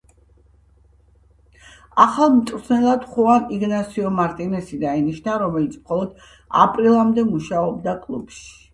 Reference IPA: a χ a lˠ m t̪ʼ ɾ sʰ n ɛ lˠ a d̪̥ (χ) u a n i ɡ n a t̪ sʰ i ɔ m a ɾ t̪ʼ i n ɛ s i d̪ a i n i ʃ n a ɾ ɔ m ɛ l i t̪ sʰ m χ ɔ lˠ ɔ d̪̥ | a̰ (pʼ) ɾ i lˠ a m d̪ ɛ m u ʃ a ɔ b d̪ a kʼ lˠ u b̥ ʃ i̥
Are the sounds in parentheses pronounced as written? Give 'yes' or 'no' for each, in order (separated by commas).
yes, yes